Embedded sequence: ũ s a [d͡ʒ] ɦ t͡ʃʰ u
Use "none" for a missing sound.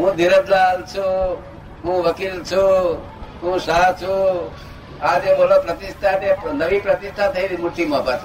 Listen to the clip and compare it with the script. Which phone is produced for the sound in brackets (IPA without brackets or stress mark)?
none